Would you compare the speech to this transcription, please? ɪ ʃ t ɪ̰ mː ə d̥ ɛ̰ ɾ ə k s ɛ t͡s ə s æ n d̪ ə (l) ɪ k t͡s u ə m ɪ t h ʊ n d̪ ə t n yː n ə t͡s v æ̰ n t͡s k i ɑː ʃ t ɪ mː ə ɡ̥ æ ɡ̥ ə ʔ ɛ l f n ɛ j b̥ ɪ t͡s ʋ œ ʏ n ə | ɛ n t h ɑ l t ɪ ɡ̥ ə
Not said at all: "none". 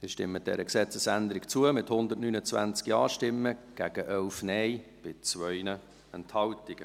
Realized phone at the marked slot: ɾ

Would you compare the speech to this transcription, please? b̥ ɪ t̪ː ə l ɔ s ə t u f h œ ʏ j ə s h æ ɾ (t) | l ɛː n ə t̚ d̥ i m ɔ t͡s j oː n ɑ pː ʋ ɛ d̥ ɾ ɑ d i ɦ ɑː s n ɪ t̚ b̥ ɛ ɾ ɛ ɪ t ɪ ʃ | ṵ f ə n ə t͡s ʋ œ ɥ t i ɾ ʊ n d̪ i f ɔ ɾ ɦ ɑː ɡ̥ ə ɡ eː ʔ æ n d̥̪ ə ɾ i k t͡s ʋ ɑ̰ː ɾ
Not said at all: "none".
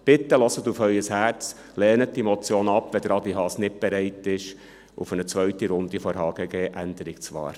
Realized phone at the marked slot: t͡s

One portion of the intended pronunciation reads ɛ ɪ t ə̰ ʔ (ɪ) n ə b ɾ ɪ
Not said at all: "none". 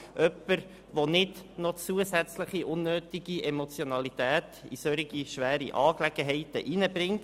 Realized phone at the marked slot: i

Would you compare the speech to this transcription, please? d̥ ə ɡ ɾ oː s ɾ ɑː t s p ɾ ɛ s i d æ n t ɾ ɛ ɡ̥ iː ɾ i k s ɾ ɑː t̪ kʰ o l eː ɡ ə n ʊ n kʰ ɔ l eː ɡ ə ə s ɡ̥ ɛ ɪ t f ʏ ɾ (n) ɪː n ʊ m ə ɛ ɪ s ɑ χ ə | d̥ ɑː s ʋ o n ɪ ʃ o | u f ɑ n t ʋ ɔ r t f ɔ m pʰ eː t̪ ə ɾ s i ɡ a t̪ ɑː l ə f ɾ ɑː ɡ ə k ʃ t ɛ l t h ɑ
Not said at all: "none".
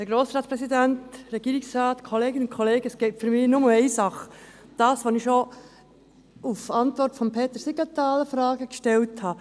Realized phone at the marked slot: m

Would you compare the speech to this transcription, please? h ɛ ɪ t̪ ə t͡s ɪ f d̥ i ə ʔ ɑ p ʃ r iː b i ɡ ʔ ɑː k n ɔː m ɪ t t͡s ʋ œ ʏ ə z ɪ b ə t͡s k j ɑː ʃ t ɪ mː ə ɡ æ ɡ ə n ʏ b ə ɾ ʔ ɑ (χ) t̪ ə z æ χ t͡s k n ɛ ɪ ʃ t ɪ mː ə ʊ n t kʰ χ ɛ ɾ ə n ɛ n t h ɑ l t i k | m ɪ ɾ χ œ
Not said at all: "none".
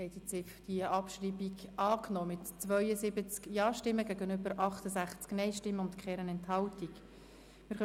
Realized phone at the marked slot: χ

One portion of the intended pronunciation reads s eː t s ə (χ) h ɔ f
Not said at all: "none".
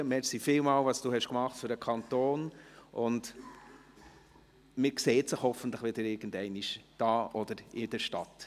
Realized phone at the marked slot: χ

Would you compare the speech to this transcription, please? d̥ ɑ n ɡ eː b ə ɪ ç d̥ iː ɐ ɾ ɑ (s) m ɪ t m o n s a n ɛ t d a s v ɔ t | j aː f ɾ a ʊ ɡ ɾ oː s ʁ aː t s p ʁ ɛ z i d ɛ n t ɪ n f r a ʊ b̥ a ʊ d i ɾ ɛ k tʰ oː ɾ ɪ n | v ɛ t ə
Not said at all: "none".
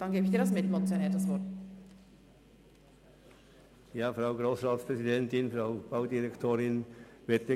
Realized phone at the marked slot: s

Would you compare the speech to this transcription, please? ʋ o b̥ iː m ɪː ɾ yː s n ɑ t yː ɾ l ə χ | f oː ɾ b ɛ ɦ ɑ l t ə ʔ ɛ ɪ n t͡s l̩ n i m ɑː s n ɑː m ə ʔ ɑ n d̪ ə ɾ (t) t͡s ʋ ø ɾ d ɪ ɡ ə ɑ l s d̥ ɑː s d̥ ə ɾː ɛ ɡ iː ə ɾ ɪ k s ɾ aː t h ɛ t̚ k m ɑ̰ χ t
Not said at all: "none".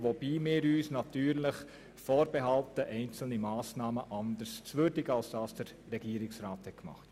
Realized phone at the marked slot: s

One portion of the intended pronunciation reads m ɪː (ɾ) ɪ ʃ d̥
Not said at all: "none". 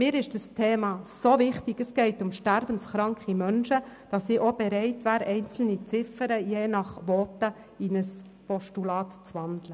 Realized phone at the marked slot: ɾ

